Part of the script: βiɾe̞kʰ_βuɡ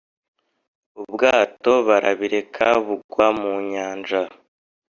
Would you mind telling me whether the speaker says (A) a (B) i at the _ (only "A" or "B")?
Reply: A